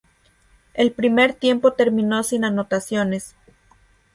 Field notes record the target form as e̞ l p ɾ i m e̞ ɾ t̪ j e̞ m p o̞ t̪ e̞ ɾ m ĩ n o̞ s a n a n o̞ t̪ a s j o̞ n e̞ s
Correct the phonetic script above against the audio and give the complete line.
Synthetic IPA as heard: e̞ l p ɾ i m e̞ ɾ t̪ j e̞ m p o̞ t̪ e̞ ɾ m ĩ n o̞ s i n a n o̞ t̪ a s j o̞ n e̞ s